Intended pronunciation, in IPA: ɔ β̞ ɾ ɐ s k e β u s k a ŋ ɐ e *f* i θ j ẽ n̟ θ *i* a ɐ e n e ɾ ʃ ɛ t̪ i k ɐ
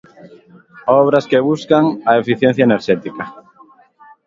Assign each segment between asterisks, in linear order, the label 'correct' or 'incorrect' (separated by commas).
correct, incorrect